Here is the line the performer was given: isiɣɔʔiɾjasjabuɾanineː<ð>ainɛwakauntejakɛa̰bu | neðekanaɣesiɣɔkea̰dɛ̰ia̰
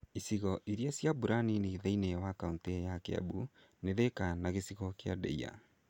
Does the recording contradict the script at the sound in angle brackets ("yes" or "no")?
no